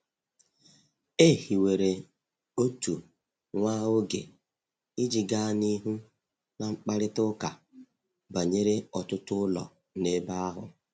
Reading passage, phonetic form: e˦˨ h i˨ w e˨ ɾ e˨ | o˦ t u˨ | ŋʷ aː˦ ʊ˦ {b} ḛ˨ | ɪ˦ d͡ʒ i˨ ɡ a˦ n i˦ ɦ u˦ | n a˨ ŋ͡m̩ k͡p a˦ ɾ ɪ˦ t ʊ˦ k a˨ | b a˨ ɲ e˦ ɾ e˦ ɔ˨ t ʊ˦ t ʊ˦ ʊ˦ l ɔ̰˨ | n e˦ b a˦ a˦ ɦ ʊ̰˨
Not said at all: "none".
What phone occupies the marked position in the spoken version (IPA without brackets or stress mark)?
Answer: ɡ